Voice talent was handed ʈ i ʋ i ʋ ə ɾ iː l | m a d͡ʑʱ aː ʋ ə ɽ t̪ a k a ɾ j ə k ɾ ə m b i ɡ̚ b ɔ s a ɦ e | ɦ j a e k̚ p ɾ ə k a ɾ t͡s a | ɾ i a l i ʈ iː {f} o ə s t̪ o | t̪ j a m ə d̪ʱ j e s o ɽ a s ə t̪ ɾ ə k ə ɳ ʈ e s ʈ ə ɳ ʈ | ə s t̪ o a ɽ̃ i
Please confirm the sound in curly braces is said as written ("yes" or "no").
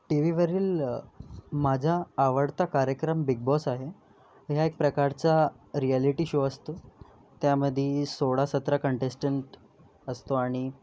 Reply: no